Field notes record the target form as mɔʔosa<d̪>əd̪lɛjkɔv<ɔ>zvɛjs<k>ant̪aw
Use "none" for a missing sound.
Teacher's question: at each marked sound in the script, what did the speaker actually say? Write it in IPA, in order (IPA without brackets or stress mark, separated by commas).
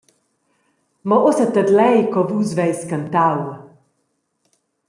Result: t̪, u, k